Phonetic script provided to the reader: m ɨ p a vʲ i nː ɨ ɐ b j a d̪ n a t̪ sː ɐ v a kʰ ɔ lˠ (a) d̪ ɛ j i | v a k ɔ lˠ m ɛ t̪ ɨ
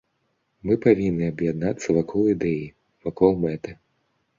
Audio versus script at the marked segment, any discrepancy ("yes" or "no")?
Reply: yes